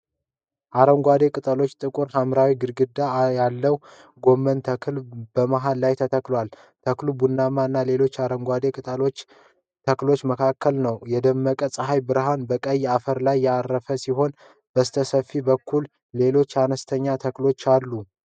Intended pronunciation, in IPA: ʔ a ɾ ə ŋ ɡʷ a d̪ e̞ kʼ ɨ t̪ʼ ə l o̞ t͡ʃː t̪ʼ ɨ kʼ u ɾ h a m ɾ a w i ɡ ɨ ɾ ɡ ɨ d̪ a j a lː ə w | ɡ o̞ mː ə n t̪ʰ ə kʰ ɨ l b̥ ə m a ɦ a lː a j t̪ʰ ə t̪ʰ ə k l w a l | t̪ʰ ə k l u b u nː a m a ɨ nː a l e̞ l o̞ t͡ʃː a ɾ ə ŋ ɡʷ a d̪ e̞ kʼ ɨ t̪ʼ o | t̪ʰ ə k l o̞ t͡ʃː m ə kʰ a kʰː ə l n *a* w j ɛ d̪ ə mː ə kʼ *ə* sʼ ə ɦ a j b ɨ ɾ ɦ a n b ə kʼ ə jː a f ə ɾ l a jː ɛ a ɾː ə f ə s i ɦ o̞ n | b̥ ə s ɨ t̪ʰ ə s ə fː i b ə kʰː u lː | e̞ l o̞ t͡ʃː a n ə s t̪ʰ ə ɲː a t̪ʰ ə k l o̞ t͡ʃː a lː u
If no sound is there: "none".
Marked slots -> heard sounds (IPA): ə, ə

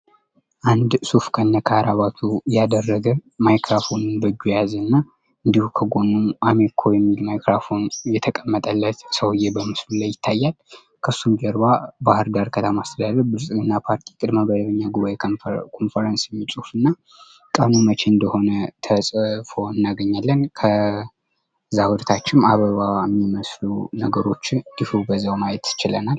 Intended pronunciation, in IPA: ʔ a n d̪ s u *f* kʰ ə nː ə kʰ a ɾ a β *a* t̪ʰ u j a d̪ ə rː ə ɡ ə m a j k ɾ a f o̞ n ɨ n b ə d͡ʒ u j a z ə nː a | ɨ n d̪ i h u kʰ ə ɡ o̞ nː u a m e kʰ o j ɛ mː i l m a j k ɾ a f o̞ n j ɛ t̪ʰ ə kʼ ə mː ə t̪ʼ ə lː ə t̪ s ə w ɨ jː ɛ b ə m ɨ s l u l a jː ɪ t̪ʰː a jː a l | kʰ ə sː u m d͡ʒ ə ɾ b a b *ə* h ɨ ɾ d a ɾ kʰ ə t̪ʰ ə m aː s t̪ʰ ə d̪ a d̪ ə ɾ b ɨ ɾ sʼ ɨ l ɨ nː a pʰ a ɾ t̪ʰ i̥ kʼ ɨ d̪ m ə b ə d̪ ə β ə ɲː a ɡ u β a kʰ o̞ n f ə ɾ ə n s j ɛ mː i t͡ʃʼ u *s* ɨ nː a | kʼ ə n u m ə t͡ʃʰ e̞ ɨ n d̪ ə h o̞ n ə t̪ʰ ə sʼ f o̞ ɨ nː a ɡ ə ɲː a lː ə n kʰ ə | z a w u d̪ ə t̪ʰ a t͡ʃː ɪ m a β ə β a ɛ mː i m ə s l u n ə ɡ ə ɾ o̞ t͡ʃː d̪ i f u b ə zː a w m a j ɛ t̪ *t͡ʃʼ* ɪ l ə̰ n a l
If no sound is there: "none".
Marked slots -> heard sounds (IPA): f, a, a, f, t͡ʃ

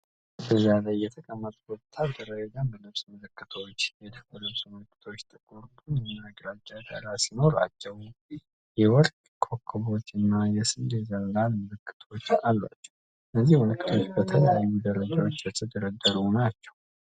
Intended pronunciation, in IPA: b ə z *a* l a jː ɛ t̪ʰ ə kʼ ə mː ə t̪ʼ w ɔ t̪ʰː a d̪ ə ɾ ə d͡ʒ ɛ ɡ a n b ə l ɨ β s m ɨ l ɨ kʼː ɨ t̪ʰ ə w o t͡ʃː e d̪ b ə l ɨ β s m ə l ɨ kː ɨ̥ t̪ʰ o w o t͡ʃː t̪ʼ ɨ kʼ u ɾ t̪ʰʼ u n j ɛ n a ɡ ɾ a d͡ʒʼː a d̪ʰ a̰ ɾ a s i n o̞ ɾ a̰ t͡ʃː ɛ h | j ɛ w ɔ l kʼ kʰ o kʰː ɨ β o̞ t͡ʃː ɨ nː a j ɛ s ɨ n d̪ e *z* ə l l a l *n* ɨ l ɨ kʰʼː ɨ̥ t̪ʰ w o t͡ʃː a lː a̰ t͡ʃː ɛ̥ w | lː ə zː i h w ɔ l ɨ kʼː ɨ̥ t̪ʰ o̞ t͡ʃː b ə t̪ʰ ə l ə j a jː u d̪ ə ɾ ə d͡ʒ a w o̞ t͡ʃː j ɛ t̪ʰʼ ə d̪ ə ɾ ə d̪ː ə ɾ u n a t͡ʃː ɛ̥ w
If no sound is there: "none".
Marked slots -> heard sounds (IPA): a, z, m

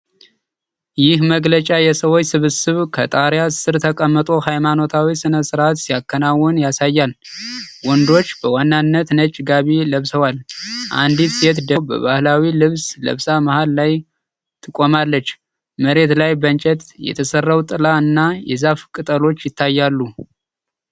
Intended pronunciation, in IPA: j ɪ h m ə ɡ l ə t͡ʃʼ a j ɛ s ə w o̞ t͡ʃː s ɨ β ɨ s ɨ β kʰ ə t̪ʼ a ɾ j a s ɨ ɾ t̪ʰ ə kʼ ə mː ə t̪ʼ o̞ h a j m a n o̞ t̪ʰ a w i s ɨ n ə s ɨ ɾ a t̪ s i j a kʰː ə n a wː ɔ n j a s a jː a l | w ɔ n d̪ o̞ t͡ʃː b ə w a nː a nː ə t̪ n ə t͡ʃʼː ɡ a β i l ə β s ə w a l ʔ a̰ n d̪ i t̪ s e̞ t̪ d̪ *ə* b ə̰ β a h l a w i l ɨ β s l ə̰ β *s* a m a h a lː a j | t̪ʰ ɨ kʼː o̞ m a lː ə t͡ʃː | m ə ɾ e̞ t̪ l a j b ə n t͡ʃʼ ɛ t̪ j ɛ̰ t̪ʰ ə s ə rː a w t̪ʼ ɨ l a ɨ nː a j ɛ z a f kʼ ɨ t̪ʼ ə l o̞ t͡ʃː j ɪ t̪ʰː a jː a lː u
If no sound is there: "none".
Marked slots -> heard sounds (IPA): ə, s

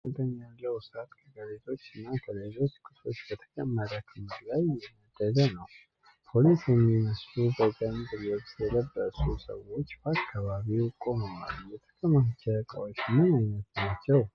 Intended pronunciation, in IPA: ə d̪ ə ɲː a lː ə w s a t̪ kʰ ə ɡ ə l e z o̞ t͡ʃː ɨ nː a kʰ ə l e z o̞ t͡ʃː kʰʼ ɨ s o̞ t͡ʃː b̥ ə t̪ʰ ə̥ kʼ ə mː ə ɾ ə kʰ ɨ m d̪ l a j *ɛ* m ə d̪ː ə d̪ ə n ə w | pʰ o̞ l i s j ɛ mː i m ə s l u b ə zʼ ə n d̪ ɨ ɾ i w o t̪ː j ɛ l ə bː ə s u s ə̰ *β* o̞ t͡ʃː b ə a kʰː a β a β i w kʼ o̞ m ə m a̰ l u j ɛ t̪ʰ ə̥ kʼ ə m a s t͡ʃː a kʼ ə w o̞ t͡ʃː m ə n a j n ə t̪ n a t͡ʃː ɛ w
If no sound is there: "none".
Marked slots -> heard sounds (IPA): ɛ, w

